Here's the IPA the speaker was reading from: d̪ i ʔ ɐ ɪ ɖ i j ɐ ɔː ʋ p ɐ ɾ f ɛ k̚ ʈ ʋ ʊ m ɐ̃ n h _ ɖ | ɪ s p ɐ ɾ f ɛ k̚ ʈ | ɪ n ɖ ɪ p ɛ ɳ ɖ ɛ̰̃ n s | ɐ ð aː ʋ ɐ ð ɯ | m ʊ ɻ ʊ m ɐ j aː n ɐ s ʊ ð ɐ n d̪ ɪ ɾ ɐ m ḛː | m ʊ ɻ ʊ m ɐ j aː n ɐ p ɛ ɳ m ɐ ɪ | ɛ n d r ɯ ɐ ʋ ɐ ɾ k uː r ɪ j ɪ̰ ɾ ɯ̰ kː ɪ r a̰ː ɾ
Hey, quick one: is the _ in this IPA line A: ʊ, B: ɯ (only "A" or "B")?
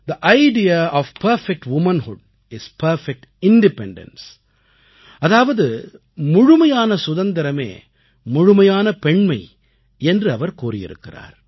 A